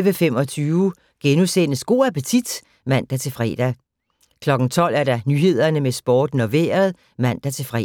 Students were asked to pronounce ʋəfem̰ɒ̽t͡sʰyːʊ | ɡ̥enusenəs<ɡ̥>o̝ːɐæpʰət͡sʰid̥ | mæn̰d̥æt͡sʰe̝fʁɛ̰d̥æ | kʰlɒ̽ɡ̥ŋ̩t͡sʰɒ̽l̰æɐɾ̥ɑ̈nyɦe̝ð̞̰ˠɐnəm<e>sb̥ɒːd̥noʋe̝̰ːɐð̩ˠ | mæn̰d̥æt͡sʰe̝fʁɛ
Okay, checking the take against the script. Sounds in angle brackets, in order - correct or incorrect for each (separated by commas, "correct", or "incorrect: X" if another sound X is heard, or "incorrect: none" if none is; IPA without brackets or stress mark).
correct, correct